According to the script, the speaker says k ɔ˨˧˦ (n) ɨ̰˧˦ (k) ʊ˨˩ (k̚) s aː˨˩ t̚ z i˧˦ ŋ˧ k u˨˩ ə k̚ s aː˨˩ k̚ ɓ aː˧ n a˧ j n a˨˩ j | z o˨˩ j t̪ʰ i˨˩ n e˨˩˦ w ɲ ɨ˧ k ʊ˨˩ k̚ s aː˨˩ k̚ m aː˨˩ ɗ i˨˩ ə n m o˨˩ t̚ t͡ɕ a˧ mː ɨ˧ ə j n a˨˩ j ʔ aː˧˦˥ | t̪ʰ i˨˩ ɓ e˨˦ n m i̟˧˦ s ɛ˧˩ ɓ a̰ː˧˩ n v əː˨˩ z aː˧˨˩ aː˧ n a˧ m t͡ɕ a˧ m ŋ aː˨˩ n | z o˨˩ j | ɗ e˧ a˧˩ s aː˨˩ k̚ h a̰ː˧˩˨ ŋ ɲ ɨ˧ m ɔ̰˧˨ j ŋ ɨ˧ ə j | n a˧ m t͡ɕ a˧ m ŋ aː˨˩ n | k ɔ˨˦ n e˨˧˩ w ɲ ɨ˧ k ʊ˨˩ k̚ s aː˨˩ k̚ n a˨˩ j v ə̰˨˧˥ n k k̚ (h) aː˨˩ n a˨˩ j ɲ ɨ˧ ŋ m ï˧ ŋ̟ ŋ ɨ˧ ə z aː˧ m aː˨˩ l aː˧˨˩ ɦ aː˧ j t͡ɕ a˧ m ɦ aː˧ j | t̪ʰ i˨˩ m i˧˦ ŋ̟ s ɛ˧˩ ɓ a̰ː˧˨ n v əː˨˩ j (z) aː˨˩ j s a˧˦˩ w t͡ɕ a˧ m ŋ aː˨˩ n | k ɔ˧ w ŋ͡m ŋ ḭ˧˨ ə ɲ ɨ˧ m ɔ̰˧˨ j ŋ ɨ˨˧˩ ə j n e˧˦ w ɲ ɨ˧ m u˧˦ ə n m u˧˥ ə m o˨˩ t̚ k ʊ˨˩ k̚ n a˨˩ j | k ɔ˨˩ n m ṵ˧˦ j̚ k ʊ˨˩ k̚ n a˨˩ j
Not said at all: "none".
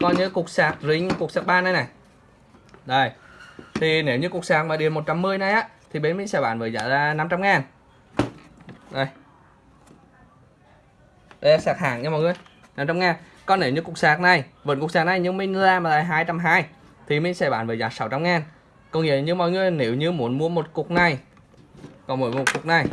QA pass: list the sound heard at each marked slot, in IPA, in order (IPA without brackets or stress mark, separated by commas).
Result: ɲ, k, k̚, s, z